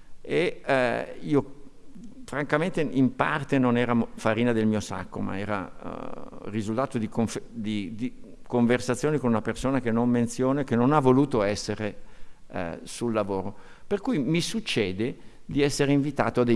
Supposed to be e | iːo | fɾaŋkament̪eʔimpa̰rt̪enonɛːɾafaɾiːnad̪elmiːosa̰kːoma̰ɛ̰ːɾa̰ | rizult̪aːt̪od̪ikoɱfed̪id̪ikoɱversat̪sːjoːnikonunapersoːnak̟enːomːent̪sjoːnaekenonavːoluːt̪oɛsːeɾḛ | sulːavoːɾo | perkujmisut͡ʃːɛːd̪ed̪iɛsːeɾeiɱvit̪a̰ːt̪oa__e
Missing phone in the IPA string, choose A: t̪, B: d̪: B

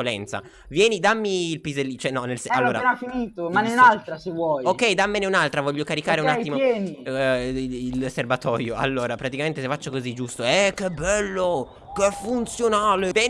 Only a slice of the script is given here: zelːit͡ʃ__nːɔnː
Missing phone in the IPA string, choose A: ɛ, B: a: A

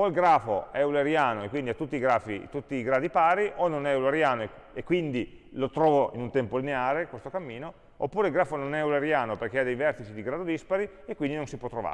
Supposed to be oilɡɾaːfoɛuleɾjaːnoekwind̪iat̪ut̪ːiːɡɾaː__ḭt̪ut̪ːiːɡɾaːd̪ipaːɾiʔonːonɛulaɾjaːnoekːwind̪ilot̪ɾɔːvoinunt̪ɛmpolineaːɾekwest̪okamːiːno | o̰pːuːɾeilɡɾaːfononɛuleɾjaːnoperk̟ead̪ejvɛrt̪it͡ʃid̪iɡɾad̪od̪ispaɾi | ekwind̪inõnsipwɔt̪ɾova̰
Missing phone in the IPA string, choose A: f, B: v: A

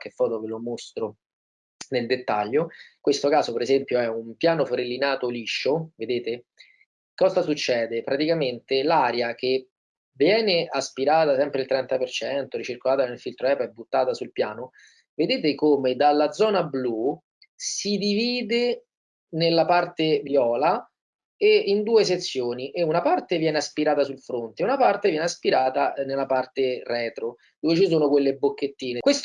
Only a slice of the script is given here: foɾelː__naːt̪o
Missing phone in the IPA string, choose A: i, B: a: A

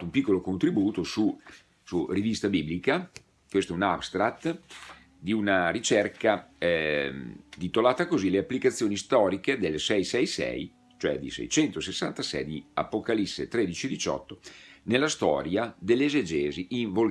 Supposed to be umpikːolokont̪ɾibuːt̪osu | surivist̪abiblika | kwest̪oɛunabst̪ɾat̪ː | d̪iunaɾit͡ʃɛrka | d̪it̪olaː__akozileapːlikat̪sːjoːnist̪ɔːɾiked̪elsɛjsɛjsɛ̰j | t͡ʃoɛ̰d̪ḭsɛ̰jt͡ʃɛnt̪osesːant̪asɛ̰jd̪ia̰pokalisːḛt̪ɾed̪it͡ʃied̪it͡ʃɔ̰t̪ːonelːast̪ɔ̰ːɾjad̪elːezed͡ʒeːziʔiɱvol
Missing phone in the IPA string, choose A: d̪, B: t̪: B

